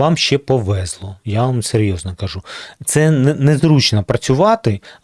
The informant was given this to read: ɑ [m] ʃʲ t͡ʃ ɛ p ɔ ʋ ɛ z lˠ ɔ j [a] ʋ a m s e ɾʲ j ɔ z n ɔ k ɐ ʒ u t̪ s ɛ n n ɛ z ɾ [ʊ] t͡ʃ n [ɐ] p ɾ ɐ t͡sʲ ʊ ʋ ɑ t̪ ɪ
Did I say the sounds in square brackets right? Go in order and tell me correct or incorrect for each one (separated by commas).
correct, correct, incorrect, correct